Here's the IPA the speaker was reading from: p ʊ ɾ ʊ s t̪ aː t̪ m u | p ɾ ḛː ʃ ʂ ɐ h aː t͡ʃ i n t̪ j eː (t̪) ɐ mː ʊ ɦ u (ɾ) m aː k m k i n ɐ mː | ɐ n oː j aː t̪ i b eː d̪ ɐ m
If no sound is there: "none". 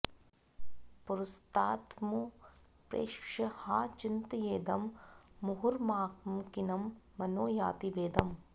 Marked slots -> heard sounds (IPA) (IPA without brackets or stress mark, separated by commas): d̪, ɾ